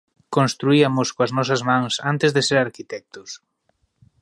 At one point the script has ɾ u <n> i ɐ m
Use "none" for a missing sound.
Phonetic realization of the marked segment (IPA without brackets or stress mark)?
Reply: none